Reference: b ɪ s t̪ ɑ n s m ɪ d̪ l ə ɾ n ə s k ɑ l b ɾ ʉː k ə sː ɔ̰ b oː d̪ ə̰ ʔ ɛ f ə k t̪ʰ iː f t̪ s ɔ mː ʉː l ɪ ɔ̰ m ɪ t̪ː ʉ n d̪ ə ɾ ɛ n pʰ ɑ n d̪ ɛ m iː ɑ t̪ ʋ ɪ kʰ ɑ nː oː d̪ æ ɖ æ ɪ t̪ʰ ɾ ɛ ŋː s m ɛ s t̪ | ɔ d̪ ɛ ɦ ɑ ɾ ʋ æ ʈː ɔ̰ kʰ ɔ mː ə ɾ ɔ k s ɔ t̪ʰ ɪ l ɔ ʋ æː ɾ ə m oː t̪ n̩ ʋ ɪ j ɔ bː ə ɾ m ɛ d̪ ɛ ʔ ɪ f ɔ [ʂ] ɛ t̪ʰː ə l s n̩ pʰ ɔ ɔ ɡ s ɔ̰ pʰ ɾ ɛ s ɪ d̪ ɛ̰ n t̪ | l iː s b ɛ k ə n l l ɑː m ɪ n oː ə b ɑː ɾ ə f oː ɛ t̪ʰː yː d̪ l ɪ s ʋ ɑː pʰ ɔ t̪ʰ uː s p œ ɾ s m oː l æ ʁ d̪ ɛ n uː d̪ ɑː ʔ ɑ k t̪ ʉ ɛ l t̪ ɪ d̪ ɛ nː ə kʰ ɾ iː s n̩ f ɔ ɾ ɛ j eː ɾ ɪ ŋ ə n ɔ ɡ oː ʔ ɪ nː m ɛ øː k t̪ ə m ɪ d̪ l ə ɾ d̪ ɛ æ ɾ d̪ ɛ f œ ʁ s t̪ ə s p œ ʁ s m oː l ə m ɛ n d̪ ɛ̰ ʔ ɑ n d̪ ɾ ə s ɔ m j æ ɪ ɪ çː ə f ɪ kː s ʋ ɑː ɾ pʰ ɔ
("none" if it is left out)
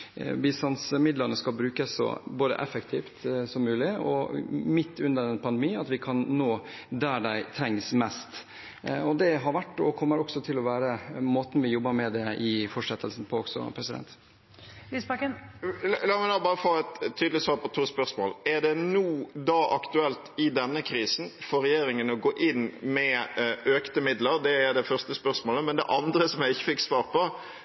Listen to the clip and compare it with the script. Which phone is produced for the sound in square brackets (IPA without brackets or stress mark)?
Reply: ʂ